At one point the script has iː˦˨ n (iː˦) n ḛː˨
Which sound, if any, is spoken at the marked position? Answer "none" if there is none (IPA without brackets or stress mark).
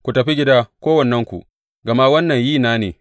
aː˦